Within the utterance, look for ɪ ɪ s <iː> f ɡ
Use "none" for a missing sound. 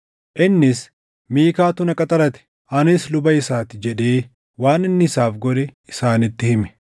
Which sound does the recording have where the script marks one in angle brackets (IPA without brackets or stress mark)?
aː